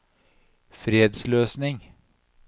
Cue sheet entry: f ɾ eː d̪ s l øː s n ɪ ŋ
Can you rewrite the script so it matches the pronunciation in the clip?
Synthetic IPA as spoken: f ɾ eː d̪ s l øː s n ɪ ŋ